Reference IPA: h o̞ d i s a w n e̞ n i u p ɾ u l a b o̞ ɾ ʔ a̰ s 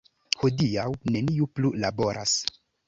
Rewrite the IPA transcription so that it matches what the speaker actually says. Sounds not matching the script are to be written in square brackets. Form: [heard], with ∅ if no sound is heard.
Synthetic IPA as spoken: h o̞ d i [∅] a w n e̞ n i u p [l] u l a b o̞ ɾ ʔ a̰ s